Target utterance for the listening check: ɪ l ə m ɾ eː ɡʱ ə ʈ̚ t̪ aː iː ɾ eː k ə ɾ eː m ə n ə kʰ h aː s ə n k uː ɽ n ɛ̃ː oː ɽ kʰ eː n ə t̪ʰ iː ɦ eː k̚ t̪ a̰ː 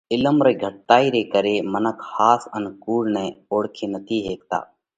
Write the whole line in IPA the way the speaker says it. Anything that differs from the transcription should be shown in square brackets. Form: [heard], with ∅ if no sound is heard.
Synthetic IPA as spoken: ɪ l ə m ɾ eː ɡʱ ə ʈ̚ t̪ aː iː ɾ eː k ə ɾ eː m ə n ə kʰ h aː s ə n k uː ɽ n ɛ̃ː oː ɽ kʰ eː n ə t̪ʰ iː ɦ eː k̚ t̪ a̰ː